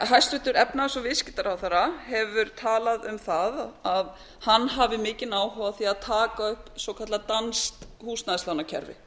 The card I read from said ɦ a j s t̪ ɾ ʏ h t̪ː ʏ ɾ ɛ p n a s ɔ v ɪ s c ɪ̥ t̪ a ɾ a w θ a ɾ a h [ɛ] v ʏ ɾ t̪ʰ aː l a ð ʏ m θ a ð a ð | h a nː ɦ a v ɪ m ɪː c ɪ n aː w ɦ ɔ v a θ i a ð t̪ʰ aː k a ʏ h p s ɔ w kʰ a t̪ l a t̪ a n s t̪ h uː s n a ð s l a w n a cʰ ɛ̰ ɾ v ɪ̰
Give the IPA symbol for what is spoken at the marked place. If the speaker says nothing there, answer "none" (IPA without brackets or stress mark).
ɛ